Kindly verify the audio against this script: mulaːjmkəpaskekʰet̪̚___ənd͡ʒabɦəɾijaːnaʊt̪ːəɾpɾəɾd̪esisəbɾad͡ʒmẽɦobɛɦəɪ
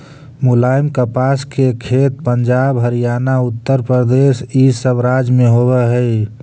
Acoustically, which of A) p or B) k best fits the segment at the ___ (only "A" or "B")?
A